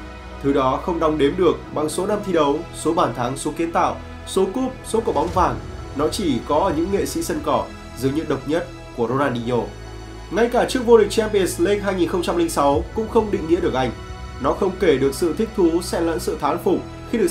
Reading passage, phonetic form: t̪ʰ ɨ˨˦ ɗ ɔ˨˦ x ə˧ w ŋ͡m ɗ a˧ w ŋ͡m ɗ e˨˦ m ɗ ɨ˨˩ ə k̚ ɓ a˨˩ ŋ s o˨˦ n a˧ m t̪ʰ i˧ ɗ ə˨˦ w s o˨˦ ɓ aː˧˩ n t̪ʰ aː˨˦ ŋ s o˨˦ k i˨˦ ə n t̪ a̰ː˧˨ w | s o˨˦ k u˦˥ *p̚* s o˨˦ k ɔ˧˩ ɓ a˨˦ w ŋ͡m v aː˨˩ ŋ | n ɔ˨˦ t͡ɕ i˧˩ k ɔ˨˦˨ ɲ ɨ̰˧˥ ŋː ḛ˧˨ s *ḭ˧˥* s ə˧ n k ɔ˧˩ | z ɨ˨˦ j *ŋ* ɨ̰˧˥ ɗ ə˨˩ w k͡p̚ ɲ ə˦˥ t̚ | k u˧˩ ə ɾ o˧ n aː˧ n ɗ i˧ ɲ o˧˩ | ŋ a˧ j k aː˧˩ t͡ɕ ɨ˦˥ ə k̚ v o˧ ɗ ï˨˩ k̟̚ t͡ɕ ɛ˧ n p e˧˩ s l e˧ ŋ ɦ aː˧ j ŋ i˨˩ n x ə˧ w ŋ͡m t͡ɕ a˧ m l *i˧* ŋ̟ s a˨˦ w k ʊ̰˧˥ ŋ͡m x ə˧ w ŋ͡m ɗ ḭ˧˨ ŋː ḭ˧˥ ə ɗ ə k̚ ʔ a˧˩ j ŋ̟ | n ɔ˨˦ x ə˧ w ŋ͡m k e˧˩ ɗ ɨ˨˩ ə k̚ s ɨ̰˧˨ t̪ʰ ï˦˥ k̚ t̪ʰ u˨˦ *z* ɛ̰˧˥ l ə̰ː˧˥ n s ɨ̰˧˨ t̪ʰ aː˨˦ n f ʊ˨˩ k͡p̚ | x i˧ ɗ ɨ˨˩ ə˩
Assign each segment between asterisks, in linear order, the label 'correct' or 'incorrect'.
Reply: correct, correct, incorrect: ɲ, correct, incorrect: s

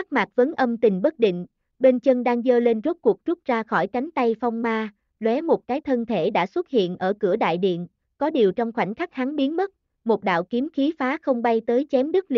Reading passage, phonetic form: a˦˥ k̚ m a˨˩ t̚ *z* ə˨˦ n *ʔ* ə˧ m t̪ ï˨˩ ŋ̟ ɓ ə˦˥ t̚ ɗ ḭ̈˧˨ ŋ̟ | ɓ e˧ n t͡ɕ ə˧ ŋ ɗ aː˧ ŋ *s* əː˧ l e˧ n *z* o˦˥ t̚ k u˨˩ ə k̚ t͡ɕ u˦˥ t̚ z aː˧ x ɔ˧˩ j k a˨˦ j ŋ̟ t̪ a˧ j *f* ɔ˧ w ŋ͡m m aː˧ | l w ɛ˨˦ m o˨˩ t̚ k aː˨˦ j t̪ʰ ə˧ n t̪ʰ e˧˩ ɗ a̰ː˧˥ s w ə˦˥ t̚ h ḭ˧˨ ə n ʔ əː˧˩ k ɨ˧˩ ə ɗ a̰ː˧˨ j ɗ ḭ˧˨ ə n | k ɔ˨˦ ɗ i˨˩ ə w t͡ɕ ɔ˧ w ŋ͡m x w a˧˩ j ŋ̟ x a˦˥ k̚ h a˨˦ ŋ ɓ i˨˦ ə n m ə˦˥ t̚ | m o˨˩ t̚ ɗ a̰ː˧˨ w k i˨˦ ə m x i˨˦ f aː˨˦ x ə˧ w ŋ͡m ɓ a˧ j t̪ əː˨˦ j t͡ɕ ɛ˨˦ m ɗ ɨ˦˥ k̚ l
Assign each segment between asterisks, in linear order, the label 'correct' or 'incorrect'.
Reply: incorrect: v, correct, incorrect: z, correct, correct

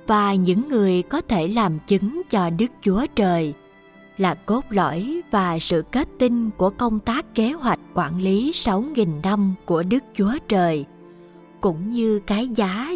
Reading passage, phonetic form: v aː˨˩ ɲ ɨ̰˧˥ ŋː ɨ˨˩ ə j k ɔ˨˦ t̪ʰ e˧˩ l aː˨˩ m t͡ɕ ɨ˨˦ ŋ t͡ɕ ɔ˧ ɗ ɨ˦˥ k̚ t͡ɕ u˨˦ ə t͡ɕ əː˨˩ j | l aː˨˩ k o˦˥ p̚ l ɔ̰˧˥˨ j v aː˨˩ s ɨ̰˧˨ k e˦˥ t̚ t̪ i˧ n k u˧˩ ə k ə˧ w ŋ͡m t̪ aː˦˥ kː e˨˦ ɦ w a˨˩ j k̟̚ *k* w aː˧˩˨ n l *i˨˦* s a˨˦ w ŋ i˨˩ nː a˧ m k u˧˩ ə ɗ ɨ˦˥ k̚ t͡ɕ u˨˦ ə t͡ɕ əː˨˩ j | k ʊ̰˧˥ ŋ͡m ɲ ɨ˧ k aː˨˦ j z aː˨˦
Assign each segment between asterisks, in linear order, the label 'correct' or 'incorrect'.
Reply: correct, correct

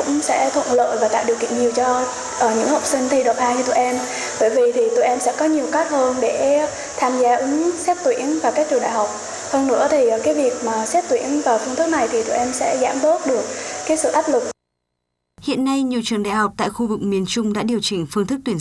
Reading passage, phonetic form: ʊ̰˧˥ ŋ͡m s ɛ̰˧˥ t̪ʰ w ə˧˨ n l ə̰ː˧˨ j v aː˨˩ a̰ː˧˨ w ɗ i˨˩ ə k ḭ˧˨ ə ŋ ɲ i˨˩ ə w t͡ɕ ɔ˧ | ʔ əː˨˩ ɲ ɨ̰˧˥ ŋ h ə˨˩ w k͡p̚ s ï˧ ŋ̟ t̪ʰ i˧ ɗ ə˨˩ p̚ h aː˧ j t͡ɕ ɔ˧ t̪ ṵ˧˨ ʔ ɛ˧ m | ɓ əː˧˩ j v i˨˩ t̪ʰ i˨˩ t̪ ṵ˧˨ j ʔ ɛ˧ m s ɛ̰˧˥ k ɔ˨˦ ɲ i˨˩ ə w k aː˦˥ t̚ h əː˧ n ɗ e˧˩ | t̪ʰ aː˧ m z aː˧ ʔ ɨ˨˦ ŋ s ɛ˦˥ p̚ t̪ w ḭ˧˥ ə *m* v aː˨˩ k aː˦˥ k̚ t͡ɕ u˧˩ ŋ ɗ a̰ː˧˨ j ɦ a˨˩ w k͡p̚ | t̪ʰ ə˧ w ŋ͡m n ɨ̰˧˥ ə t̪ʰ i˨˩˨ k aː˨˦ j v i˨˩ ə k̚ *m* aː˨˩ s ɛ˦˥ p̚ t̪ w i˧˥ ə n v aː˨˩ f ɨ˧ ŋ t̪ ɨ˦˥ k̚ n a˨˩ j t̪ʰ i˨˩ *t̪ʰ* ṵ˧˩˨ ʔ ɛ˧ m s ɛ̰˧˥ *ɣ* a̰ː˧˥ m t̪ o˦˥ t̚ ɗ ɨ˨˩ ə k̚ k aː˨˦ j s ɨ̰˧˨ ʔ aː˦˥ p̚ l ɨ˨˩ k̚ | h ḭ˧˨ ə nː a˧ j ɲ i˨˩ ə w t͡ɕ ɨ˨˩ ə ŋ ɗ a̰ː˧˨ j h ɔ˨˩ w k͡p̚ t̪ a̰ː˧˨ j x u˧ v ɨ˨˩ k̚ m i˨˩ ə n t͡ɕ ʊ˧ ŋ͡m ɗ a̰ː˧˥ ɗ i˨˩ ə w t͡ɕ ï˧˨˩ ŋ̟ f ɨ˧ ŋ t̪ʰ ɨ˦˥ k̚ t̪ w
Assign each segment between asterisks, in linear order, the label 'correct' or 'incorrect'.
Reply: incorrect: n, correct, incorrect: t̪, incorrect: z

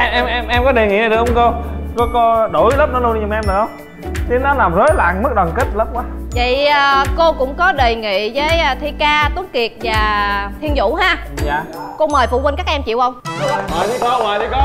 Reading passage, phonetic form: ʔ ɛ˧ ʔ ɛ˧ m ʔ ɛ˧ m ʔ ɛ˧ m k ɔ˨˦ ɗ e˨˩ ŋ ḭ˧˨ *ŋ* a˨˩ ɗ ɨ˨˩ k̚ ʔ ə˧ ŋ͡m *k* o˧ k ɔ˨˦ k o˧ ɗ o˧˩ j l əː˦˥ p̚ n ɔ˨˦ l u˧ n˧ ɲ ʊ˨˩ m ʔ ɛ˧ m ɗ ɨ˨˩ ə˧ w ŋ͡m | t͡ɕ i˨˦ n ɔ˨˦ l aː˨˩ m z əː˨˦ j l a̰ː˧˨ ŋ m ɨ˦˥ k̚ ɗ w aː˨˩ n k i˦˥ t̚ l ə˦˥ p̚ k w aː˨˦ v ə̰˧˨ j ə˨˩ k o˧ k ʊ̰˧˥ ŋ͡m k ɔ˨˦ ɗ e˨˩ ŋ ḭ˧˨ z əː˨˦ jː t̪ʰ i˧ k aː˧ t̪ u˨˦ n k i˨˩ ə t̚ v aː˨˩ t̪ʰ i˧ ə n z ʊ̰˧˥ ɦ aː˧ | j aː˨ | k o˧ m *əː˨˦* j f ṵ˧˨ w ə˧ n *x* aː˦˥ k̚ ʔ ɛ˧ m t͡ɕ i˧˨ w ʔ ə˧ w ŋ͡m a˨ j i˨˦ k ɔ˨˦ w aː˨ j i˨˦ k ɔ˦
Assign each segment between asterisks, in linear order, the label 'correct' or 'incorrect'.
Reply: incorrect: n, correct, incorrect: əː˨˩, incorrect: k

